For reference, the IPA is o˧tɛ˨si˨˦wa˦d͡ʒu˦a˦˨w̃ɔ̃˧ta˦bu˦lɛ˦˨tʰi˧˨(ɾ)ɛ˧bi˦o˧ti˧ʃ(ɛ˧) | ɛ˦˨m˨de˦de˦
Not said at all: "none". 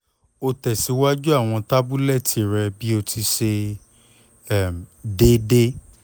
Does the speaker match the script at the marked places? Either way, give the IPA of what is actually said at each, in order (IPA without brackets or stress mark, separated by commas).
ɾ, e˧